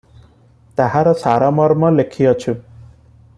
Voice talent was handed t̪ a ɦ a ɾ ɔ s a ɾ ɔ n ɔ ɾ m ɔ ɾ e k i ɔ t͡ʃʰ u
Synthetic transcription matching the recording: t̪ a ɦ a ɾ ɔ s a ɾ ɔ m ɔ ɾ m ɔ l e kʰ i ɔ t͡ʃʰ u

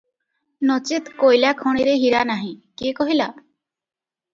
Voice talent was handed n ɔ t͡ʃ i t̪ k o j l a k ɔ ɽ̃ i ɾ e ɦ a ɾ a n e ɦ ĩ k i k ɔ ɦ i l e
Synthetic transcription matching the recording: n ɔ t͡ʃ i t̪ k o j l a kʰ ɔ ɽ̃ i ɾ e ɦ i ɾ a n a ɦ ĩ k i k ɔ ɦ i l a

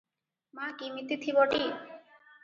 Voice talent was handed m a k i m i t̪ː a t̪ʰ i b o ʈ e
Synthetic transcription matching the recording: m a k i m i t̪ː i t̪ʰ i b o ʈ i

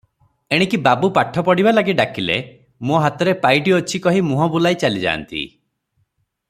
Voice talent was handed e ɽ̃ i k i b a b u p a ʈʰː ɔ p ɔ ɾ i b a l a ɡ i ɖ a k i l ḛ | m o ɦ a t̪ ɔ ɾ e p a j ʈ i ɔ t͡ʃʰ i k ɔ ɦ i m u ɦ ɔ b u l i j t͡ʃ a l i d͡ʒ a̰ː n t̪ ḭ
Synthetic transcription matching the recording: e ɽ̃ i k i b a b u p a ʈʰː ɔ p ɔ ɽ i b a l a ɡ i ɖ a k i l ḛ | m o ɦ a t̪ ɔ ɾ e p a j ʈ i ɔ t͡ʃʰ i k ɔ ɦ i m u ɦ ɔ b u l a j t͡ʃ a l i d͡ʒ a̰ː n t̪ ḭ

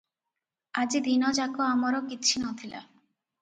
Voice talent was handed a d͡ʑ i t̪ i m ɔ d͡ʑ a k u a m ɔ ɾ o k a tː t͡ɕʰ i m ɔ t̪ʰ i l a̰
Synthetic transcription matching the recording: a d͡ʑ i d̪ i n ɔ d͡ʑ a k o a m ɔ ɾ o k i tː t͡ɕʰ i n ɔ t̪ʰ i l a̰

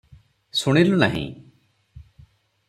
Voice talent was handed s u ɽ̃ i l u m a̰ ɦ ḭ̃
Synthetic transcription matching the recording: s u ɽ̃ i l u n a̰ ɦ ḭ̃

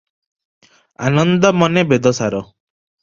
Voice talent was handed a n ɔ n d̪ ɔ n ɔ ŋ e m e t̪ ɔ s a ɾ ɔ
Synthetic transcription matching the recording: a n ɔ n d̪ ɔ m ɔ n e b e d̪ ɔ s a ɾ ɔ

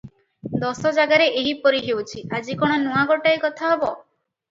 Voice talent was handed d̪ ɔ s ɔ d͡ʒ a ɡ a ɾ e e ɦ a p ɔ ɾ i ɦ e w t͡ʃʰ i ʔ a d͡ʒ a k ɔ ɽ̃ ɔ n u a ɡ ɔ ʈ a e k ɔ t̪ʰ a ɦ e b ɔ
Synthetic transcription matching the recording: d̪ ɔ s ɔ d͡ʒ a ɡ a ɾ e e ɦ i p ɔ ɾ i ɦ e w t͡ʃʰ i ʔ a d͡ʒ i k ɔ ɽ̃ ɔ n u a ɡ ɔ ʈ a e k ɔ t̪ʰ a ɦ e b ɔ

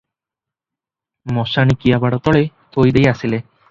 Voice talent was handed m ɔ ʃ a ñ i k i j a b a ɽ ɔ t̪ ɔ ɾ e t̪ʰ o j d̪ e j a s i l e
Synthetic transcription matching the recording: m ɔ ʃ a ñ i k i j a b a ɽ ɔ t̪ ɔ ɭ e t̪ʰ o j d̪ e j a s i l e

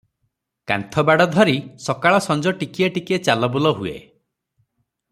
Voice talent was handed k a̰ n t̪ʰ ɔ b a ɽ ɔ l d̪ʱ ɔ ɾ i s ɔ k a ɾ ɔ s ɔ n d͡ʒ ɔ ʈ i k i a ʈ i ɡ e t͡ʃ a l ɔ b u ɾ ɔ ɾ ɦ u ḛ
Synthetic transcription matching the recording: k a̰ n t̪ʰ ɔ b a ɽ ɔ d̪ʱ ɔ ɾ i s ɔ k a ɭ ɔ s ɔ n d͡ʒ ɔ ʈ i k i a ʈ i k e t͡ʃ a l ɔ b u l ɔ ɦ u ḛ

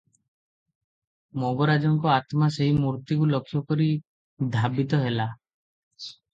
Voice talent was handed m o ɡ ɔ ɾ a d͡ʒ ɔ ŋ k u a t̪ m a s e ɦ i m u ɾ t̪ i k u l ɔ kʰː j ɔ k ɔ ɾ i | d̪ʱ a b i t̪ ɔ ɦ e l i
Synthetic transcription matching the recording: m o ɡ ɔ ɾ a d͡ʒ ɔ ŋ k ɔ a t̪ m a s e ɦ i m u ɾ t̪ i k u l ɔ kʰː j ɔ k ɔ ɾ i | d̪ʱ a b i t̪ ɔ ɦ e l a

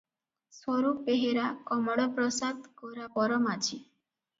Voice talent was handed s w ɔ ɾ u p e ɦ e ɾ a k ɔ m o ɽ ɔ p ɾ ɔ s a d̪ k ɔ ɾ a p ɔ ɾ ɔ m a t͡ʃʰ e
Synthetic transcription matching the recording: s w ɔ ɾ u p e ɦ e ɾ a k ɔ m ɔ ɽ ɔ p ɾ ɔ s a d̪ k ɔ ɾ a p ɔ ɾ ɔ m a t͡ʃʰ i

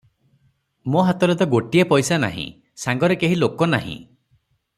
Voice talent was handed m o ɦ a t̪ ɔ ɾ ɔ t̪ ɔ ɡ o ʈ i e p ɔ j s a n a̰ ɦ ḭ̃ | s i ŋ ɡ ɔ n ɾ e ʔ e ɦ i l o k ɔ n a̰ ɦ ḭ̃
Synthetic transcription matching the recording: m o ɦ a t̪ ɔ ɾ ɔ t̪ ɔ ɡ o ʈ i e p ɔ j s a n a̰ ɦ ḭ̃ | s a ŋ ɡ ɔ ɾ e k e ɦ i l o k ɔ n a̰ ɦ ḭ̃

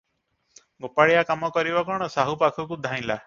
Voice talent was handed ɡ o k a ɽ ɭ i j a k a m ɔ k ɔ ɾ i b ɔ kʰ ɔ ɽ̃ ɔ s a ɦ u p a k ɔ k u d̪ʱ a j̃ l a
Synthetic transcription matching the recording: ɡ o p a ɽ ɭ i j a k a m ɔ k ɔ ɾ i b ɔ k ɔ ɽ̃ ɔ s a ɦ u p a kʰ ɔ k u d̪ʱ a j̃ l a

